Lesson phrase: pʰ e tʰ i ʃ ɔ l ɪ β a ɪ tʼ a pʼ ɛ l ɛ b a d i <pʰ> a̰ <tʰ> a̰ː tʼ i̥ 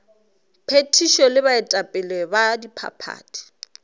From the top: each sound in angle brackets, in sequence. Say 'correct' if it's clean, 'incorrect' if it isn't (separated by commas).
correct, incorrect